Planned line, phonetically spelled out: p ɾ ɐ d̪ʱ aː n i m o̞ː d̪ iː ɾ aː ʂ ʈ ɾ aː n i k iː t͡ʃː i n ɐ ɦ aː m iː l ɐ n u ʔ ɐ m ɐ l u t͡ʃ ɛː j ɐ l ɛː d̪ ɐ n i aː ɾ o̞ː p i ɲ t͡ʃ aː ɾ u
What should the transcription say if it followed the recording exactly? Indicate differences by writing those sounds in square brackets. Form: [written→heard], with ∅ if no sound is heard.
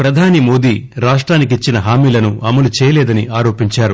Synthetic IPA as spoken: p ɾ ɐ d̪ʱ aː n i m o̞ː d̪ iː ɾ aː ʂ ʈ ɾ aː n i k [iː→i] t͡ʃː i n ɐ ɦ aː m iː l ɐ n u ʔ ɐ m ɐ l u t͡ʃ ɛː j ɐ l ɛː d̪ ɐ n i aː ɾ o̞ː p i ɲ t͡ʃ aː ɾ u